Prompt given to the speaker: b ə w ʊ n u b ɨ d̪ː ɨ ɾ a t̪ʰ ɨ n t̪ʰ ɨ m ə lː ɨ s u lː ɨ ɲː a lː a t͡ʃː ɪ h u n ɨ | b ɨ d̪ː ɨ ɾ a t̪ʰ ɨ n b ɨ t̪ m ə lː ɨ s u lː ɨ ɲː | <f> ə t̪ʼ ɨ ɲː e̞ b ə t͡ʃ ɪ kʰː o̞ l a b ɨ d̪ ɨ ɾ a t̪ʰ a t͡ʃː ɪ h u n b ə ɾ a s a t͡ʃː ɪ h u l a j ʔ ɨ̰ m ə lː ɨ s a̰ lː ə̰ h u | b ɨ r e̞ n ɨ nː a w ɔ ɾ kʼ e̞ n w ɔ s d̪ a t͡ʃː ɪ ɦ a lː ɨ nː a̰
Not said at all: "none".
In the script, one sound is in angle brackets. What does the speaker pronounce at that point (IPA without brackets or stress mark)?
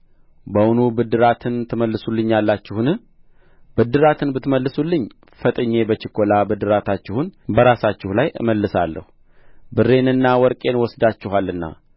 f